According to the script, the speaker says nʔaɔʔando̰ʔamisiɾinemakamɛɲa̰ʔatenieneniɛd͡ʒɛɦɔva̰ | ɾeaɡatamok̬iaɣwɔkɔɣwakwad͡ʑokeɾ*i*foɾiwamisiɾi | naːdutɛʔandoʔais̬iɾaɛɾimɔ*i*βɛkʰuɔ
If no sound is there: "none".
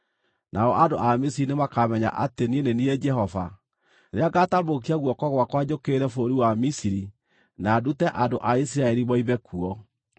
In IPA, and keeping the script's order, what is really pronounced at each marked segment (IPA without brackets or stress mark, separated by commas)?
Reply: ɛ, i